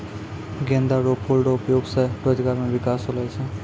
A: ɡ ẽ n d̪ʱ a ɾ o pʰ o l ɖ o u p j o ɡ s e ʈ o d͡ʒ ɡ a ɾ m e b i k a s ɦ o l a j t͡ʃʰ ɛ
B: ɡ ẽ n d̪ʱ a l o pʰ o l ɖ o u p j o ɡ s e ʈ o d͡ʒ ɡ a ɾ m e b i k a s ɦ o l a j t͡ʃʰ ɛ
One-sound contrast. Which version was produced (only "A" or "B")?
A